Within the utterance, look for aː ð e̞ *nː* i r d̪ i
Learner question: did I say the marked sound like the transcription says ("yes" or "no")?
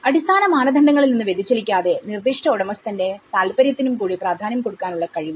no